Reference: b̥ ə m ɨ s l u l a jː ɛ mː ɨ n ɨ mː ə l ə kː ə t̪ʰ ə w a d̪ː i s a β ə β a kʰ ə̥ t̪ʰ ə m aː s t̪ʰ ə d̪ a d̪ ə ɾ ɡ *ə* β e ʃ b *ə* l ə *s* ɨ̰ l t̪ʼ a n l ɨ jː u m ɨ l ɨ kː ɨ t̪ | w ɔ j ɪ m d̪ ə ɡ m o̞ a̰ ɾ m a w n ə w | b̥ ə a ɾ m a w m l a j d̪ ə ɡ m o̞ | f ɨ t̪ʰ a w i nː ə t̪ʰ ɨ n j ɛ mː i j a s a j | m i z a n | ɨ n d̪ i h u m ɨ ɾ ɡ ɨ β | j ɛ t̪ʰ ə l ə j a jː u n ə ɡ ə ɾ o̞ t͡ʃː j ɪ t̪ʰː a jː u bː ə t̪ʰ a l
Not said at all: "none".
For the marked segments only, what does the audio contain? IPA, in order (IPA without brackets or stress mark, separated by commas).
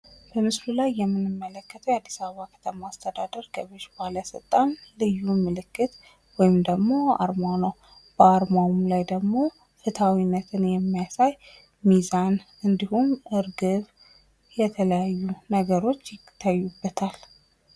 ə, a, s